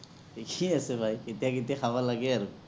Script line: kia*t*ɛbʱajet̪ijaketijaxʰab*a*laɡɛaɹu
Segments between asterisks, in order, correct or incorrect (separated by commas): incorrect, correct